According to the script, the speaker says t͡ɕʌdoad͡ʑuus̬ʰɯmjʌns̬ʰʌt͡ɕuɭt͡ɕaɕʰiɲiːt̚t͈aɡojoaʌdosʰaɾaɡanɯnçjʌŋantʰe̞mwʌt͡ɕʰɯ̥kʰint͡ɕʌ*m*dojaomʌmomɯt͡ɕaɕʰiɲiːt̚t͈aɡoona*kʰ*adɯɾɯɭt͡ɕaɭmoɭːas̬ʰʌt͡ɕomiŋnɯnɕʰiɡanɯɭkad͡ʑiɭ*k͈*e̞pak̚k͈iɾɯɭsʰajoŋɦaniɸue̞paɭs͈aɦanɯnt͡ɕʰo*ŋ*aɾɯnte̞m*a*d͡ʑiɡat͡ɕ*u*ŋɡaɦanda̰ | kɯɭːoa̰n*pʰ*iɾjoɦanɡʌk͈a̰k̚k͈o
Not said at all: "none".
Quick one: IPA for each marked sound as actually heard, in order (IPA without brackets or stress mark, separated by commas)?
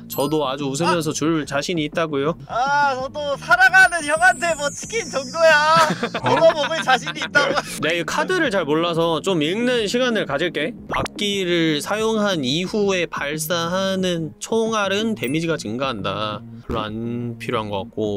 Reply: ŋ, kʰ, k͈, ŋ, i, ɯ, pʰ